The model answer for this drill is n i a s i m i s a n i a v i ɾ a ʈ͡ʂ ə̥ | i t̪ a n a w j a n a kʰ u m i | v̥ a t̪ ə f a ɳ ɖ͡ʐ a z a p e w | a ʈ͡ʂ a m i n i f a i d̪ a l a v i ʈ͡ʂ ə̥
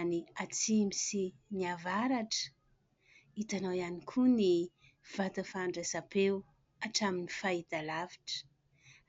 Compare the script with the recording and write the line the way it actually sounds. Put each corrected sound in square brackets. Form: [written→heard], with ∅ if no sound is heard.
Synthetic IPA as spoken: n i a [s→t͡s] i m i s [a→i] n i a v [i→a] ɾ a ʈ͡ʂ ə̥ | i t̪ a n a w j a n [a→i] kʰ u [m→n] i | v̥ a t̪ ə f a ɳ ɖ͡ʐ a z a p e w | a ʈ͡ʂ a m i n i f a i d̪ a l a v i ʈ͡ʂ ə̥